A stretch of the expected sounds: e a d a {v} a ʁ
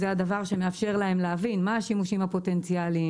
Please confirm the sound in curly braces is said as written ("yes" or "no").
yes